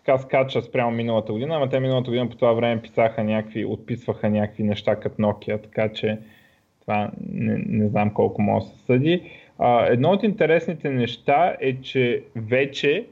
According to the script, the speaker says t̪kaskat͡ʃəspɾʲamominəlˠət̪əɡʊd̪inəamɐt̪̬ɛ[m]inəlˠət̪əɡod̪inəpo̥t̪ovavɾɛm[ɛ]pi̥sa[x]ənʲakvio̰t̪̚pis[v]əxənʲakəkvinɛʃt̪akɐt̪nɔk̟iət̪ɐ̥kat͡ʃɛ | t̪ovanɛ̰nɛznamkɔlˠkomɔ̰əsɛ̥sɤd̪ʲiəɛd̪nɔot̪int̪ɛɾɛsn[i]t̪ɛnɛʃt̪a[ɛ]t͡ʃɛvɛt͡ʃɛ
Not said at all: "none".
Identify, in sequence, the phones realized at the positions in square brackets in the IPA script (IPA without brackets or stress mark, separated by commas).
m, ɛ, x, v, i, ɛ